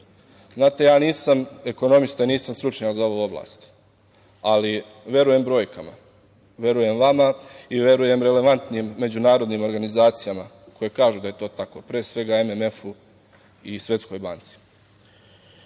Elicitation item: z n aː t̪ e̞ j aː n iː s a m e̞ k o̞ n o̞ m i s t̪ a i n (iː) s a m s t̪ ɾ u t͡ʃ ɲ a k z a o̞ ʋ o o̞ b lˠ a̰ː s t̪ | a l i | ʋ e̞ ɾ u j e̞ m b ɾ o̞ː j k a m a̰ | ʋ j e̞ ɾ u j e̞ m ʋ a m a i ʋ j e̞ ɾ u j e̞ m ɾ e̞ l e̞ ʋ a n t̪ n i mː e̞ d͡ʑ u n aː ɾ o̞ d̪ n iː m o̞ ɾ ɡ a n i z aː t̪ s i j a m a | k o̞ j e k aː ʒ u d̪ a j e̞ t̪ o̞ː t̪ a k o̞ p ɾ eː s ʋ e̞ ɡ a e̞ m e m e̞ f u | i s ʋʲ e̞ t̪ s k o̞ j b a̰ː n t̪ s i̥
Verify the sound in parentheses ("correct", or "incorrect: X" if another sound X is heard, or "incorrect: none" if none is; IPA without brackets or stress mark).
correct